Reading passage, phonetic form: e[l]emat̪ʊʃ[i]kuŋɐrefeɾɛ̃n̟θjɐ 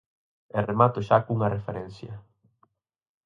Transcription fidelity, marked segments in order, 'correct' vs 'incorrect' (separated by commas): incorrect, incorrect